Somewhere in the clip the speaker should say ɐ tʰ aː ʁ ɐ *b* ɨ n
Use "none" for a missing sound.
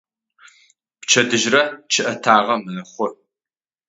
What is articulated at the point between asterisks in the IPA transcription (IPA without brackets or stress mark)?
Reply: m